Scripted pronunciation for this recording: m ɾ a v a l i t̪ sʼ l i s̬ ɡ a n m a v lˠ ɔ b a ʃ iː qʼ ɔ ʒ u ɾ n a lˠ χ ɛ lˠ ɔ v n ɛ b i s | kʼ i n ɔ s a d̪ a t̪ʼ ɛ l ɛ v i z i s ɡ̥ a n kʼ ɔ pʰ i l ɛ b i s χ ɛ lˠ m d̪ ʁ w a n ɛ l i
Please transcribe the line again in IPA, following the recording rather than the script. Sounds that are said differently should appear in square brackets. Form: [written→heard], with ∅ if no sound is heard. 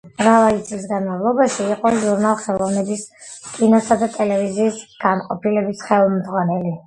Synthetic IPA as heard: m ɾ a v a l i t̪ sʼ l i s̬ ɡ a n m a v lˠ ɔ b a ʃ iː qʼ ɔ ʒ u ɾ n a lˠ χ ɛ lˠ ɔ v n ɛ b i s | kʼ i n ɔ s a d̪ a t̪ʼ ɛ l ɛ v i z [i→iː] s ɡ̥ a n [kʼ→qʼ] ɔ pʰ i l ɛ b i s χ ɛ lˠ m d̪ ʁ w a n ɛ l i